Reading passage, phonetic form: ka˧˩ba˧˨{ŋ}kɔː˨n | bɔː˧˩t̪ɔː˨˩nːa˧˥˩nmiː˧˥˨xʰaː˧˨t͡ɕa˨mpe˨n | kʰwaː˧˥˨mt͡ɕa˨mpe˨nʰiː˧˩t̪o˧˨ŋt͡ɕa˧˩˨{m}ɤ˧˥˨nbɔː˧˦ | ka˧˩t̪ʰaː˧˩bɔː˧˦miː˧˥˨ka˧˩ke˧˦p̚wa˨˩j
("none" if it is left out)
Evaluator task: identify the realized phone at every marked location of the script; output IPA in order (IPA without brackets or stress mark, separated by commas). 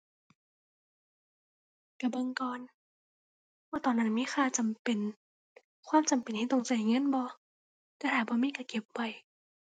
ŋ, ŋ